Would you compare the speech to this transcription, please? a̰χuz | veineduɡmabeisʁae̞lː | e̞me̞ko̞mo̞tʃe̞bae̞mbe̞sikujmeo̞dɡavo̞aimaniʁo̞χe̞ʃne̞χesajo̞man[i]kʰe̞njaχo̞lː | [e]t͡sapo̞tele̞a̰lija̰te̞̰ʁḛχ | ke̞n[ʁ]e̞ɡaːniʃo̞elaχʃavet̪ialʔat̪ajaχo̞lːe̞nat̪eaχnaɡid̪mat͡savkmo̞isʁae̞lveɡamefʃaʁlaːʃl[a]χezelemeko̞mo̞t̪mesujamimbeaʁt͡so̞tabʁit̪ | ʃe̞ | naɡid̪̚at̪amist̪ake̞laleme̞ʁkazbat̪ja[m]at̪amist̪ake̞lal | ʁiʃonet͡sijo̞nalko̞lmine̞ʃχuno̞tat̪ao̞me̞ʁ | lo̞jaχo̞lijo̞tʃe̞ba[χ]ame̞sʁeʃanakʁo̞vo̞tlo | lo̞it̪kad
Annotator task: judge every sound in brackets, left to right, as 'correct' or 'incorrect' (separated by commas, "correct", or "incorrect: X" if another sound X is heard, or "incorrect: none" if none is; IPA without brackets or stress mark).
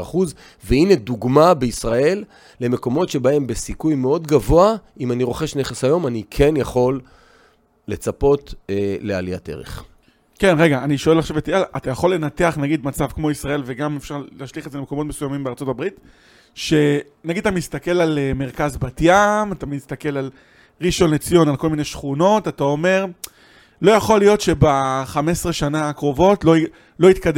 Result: correct, correct, correct, incorrect: i, correct, correct